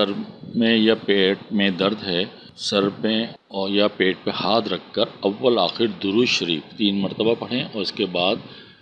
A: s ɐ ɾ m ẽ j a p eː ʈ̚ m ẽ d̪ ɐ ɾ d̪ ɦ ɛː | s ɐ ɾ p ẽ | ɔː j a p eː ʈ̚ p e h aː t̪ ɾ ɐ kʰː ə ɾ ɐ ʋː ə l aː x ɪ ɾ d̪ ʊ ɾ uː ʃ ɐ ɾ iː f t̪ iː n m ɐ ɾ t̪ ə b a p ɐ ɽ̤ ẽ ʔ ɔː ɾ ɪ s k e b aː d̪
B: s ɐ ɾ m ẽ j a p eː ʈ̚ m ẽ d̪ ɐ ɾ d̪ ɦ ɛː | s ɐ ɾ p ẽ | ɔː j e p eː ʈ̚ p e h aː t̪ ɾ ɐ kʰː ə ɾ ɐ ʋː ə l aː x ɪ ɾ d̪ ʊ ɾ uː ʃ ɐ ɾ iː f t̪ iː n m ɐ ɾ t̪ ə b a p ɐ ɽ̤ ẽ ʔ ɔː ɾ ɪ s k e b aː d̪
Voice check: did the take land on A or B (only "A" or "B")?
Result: A